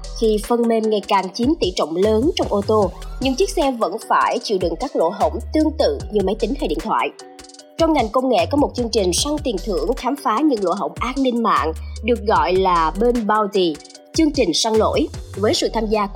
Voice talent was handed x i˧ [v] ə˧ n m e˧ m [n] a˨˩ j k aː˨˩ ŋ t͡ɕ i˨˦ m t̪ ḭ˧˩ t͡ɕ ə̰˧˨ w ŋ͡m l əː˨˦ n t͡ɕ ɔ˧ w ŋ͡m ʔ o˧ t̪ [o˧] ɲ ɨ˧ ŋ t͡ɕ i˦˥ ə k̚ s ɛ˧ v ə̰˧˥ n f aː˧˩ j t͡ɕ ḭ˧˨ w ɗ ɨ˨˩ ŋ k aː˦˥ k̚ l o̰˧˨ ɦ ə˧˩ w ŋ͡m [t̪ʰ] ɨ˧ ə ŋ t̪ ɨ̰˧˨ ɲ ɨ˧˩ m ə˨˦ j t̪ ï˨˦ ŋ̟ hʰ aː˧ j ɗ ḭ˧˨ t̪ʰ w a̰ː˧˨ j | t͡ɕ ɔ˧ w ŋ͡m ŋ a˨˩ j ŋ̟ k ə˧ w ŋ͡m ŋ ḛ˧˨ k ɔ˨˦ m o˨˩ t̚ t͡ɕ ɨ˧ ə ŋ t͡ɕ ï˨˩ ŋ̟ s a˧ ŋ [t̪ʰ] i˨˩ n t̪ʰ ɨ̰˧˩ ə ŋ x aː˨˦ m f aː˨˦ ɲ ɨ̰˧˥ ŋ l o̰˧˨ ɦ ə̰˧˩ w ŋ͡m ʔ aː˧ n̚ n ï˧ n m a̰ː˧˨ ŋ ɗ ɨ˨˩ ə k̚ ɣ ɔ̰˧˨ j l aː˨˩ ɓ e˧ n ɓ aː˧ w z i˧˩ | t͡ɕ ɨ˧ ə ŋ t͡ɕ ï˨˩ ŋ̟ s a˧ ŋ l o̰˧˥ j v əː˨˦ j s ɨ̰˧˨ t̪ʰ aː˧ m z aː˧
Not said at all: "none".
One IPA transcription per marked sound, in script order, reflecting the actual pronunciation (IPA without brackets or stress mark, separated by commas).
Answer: f, ŋ, o˧, t̪, t̪